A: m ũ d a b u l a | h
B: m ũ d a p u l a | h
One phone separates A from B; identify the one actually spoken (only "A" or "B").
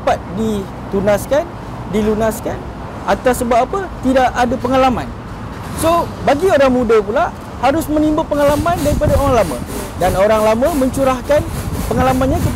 B